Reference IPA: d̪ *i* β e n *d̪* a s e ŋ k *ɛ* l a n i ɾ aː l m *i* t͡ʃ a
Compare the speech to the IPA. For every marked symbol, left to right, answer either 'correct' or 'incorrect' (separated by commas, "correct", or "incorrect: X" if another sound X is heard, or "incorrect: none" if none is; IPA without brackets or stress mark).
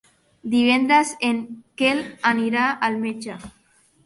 correct, correct, incorrect: e, incorrect: e